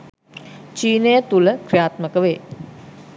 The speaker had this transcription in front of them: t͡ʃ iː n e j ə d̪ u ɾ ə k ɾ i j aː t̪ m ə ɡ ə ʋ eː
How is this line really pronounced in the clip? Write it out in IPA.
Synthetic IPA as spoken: t͡ʃ iː n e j ə t̪ u l ə k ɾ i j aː t̪ m ə k ə ʋ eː